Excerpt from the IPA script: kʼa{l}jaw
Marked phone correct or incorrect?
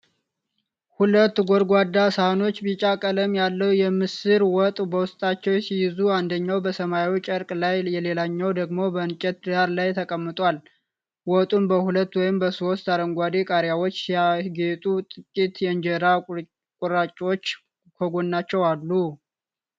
incorrect: ɾ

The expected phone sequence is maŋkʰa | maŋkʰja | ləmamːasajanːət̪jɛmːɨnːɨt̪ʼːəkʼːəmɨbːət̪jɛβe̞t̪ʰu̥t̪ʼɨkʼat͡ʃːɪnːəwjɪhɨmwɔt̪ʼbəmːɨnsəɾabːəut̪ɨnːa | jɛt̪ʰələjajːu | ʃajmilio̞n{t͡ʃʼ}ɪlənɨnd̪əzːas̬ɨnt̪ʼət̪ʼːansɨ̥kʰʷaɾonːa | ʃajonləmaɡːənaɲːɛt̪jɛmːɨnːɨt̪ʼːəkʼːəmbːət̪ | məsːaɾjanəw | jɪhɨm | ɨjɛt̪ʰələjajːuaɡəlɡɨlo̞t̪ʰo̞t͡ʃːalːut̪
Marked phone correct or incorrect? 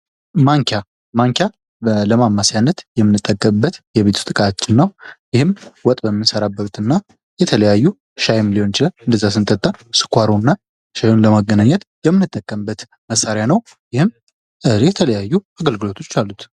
incorrect: t͡ʃ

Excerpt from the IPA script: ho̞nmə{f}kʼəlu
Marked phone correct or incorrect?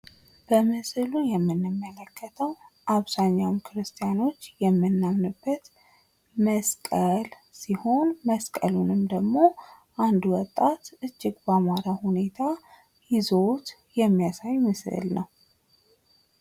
incorrect: s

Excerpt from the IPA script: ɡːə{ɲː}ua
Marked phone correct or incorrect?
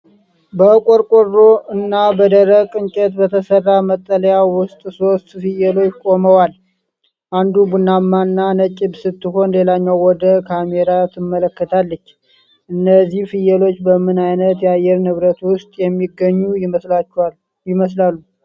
correct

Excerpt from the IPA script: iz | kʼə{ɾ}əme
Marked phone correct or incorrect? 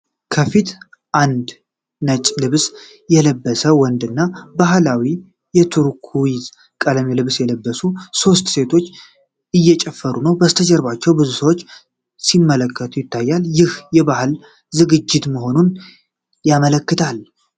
incorrect: l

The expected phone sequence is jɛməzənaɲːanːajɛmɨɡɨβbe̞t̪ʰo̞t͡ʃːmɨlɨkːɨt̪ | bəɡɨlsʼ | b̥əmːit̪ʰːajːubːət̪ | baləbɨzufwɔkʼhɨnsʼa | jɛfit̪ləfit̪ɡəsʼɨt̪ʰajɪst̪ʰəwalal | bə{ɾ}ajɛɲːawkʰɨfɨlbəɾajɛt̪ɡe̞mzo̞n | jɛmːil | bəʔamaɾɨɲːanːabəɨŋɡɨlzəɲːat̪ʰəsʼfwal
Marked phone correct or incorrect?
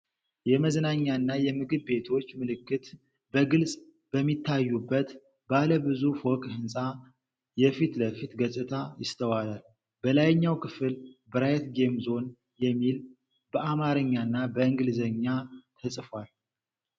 incorrect: l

